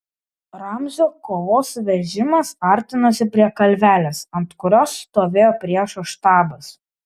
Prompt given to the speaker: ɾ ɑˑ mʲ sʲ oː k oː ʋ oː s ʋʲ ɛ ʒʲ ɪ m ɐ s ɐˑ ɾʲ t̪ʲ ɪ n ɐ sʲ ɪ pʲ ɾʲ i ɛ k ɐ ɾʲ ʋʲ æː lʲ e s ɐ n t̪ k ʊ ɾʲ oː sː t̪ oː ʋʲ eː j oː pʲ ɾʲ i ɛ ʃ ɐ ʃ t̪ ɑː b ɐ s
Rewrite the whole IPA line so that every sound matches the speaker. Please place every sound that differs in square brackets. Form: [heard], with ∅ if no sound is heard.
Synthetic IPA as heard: ɾ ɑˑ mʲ [zʲ] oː k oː ʋ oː s ʋʲ ɛ ʒʲ ɪ m ɐ s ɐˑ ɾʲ t̪ʲ ɪ n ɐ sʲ ɪ pʲ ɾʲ i ɛ k ɐ [lʲ] ʋʲ æː lʲ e s ɐ n t̪ k ʊ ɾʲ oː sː t̪ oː ʋʲ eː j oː pʲ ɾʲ i ɛ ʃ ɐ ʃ t̪ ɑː b ɐ s